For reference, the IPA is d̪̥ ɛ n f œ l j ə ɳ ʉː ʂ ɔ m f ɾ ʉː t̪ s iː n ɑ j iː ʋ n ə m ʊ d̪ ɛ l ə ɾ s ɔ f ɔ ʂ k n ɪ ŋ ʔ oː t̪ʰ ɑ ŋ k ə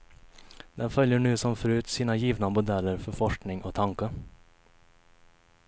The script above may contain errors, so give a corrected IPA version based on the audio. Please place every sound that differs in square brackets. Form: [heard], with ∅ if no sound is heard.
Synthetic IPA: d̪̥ ɛ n f œ l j ə ɳ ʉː [s] ɔ m f ɾ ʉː t̪ s iː n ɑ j iː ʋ n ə m ʊ d̪ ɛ l ə ɾ [f] ɔ f ɔ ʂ k n ɪ ŋ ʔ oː t̪ʰ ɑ ŋ k ə